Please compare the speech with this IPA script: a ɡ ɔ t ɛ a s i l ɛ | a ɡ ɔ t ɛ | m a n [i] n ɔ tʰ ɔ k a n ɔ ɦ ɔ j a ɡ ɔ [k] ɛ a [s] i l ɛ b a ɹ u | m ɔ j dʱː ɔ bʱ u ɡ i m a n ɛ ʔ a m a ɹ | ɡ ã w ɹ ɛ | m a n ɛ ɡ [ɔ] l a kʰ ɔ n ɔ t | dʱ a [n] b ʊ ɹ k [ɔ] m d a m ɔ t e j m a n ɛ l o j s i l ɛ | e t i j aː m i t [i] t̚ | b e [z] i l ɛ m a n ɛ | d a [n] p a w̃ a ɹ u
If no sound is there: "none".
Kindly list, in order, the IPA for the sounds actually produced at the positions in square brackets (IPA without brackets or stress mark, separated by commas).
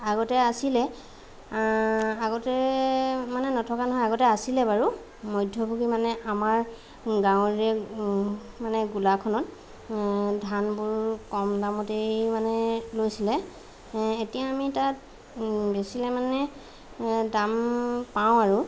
ɛ, t, s, u, n, ɔ, a, s, m